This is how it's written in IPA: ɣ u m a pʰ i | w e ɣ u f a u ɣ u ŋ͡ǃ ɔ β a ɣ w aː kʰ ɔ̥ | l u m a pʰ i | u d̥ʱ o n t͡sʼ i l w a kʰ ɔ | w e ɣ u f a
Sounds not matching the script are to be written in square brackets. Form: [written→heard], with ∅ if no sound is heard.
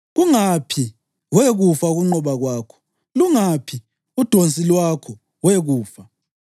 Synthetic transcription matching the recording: ɣ u [m→ŋ] a pʰ i | w e ɣ u f a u ɣ u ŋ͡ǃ ɔ β a ɣ w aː kʰ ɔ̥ | l u [m→ŋ] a pʰ i | u d̥ʱ o n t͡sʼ i l w a kʰ ɔ | w e ɣ [u→uː] f a